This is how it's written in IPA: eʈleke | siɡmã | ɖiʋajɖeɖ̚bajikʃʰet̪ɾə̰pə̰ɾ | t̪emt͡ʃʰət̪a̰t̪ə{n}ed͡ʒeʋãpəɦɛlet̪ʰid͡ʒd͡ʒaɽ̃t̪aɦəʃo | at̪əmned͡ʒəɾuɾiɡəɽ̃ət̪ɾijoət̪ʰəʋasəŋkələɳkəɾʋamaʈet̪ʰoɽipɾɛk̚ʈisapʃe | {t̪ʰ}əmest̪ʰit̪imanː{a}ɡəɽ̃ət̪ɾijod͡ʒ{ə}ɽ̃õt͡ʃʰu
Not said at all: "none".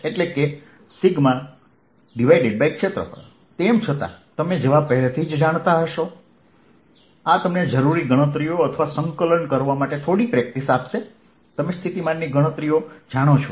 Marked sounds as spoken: m, t̪, i, a

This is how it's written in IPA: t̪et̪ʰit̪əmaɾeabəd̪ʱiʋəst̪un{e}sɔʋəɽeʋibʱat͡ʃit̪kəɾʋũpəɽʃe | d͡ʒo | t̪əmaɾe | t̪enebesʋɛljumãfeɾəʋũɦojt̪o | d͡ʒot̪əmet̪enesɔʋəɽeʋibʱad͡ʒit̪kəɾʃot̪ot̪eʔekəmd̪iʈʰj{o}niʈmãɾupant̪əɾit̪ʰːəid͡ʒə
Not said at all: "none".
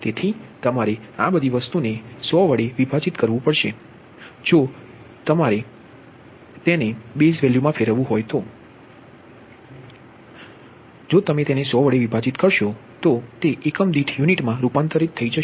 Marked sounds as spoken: e, u

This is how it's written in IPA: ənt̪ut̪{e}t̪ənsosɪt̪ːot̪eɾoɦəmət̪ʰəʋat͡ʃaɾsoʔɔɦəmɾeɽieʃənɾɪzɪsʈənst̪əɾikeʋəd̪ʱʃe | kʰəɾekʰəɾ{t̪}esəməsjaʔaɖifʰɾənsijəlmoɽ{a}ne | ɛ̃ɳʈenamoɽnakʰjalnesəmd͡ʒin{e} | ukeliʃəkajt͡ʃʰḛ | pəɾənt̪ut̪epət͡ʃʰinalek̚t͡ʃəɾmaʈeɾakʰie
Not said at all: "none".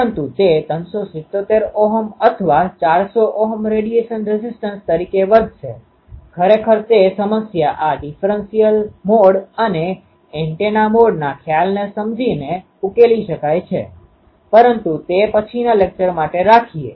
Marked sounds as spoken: e, t̪, ə, e

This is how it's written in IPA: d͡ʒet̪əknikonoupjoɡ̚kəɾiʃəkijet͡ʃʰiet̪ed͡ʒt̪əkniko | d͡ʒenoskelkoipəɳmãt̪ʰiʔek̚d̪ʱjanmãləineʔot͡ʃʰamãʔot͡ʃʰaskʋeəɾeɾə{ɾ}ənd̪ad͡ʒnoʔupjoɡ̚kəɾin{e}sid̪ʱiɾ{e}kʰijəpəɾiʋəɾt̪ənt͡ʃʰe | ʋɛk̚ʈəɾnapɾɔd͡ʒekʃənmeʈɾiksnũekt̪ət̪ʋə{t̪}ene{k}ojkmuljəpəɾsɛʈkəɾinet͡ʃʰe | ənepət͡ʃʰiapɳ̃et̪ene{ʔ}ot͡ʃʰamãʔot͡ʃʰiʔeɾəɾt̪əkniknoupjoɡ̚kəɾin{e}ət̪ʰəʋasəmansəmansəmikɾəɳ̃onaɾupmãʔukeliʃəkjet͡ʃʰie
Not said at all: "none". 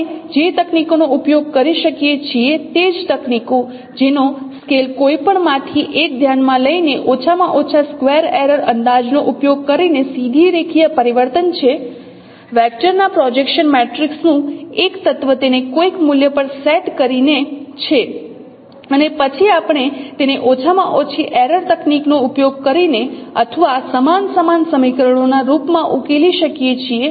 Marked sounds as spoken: ɾ, e, e, t̪, k, ʔ, e

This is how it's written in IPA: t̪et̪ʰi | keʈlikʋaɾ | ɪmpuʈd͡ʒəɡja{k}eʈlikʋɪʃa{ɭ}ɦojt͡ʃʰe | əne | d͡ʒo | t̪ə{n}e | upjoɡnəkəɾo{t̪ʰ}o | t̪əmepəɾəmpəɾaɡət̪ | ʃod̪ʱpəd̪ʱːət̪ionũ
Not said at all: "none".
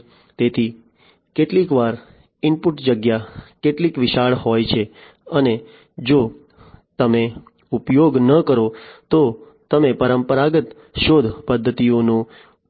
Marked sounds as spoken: k, ɭ, m, t̪

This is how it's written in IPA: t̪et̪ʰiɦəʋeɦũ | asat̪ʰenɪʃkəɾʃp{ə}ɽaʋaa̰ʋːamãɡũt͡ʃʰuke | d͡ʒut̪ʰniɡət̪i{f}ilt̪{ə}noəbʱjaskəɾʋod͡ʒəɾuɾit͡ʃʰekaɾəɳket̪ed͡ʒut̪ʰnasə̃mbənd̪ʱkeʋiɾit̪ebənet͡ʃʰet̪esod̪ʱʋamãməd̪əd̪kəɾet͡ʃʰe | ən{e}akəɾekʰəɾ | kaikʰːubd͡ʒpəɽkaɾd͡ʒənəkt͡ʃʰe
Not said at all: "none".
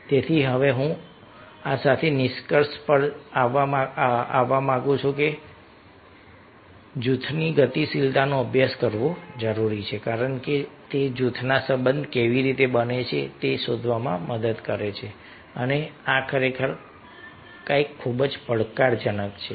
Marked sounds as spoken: ə, s, a, e

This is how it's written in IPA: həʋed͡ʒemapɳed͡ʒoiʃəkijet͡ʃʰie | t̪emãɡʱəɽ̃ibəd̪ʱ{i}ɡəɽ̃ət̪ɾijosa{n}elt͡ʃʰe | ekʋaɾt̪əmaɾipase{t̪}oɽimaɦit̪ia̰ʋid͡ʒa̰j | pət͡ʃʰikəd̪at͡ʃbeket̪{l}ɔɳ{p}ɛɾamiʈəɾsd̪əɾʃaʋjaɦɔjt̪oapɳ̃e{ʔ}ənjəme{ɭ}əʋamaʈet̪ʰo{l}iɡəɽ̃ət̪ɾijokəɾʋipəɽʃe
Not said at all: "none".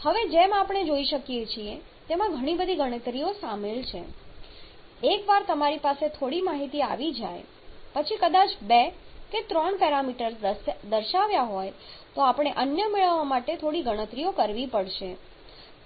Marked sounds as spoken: i, m, t̪ʰ, ɾ, p, ʔ, ɭ, ɽ

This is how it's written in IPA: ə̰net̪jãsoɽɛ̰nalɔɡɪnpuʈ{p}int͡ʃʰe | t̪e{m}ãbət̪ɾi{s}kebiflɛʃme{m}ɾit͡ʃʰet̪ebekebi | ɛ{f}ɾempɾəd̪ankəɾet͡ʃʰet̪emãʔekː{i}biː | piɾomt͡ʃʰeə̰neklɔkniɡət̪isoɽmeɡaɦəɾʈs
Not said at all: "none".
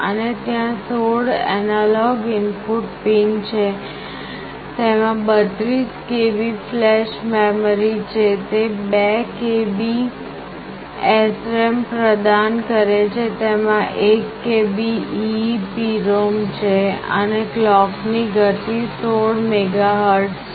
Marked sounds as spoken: p, m, s, m, s, e

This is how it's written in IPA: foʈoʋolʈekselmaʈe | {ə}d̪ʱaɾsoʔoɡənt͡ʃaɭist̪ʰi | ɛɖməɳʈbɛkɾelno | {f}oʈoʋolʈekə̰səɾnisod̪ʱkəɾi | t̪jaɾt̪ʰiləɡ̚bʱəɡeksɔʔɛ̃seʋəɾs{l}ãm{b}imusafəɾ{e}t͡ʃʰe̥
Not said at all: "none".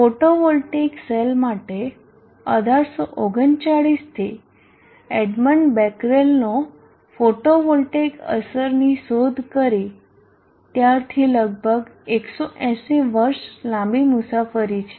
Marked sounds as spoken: ə, f, l, b, i

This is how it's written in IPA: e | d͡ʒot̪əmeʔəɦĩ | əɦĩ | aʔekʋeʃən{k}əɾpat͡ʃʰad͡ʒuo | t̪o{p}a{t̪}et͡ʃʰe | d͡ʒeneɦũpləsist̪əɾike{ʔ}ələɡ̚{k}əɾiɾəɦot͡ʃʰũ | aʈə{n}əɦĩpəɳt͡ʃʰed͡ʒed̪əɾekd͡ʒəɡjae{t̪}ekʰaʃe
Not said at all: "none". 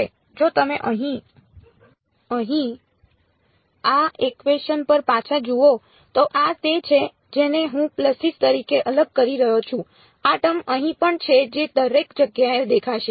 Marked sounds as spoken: p, ʔ, t̪, ʔ, k, m, d̪

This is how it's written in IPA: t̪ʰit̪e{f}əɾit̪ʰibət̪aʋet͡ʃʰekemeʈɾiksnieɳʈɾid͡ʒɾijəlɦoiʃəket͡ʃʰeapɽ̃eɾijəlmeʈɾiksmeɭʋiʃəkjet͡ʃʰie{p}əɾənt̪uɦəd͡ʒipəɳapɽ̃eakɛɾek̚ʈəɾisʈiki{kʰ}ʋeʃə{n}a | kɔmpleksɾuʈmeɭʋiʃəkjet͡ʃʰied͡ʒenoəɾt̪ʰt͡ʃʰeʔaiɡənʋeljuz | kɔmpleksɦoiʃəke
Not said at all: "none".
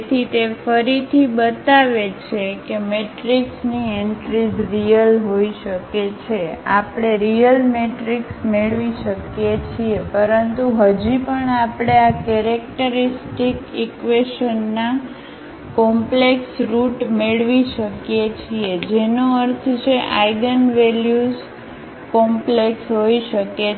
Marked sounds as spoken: f, p, k, nː

